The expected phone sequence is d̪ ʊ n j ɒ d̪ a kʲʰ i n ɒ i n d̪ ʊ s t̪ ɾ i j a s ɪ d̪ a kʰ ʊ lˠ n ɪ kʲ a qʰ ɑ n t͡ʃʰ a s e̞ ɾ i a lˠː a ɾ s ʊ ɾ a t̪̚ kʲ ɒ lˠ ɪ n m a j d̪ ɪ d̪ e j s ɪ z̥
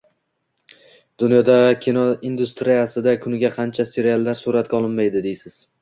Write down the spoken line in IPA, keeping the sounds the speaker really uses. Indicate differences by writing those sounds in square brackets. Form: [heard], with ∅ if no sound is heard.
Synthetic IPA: d̪ ʊ n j ɒ d̪ a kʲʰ i n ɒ i n d̪ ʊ s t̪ ɾ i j a s ɪ d̪ a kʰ ʊ [∅] n ɪ [ɡʲ] a qʰ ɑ n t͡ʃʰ a s e̞ ɾ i a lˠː a ɾ s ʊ ɾ a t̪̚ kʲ ɒ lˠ ɪ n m a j d̪ ɪ d̪ e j s ɪ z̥